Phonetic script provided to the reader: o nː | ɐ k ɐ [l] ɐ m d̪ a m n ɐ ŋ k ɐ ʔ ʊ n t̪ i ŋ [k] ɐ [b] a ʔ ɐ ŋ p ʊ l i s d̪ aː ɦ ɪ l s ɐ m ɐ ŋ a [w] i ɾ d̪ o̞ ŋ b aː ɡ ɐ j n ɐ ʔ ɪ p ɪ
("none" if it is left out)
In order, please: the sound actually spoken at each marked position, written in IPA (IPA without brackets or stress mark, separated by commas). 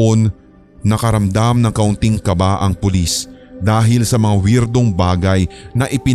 ɾ, k, b, w